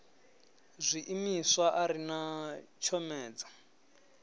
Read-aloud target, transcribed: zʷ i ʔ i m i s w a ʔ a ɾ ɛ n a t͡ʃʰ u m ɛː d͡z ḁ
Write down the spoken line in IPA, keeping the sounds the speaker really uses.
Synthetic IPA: zʷ i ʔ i m i s w a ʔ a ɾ i n a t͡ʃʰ ɔ m ɛː d͡z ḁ